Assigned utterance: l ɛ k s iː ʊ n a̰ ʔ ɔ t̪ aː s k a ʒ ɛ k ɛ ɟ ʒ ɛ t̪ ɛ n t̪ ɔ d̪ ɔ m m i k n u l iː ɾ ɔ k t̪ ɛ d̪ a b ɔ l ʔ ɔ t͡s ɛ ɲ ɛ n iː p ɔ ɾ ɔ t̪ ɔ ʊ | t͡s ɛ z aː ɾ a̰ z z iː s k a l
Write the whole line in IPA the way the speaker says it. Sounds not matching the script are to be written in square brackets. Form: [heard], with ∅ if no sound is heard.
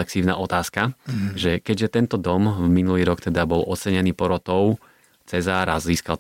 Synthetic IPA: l ɛ k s iː ʊ n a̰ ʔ ɔ t̪ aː s k a ʒ ɛ k ɛ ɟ ʒ ɛ t̪ ɛ n t̪ ɔ d̪ ɔ m m i [∅] n u l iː ɾ ɔ k t̪ ɛ d̪ a b ɔ l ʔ ɔ t͡s ɛ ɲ ɛ n iː p ɔ ɾ ɔ t̪ ɔ ʊ | t͡s ɛ z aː ɾ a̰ z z iː s k a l